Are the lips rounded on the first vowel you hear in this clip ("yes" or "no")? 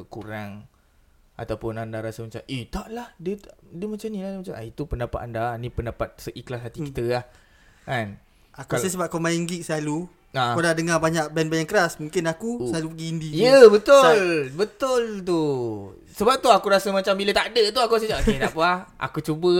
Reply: yes